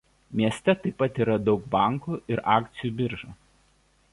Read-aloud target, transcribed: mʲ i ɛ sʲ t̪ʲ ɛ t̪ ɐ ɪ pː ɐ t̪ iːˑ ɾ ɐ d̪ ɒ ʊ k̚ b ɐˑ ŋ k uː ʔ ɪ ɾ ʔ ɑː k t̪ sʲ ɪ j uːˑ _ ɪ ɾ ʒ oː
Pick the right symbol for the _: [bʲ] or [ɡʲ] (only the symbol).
bʲ